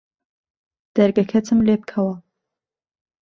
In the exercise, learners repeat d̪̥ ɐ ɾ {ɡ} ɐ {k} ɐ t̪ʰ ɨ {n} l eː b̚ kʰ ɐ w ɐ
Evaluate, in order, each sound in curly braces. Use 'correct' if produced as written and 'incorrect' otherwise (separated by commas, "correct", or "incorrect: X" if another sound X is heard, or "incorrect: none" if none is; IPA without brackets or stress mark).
correct, incorrect: kʰ, incorrect: m